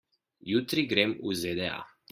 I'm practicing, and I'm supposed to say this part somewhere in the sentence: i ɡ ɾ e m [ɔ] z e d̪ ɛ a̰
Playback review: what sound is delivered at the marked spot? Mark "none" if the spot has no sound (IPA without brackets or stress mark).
u